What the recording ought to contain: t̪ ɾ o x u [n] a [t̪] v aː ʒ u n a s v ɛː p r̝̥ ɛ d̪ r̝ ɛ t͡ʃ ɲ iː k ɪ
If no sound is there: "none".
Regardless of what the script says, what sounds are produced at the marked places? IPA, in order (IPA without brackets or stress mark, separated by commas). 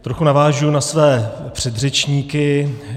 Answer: n, none